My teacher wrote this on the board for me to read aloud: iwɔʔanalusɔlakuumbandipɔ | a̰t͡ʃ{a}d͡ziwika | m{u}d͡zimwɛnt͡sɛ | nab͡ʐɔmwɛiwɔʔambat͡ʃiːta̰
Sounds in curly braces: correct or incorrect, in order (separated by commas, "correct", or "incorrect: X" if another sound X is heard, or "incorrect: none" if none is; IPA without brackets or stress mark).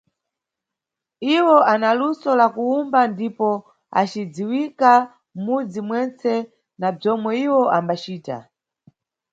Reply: incorrect: i, correct